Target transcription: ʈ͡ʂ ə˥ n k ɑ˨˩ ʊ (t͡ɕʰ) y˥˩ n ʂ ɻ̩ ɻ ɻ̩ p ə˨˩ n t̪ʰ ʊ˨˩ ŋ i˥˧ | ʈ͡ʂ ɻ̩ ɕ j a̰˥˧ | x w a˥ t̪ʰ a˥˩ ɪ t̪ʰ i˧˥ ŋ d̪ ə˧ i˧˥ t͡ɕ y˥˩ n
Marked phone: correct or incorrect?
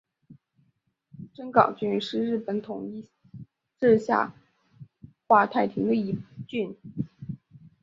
incorrect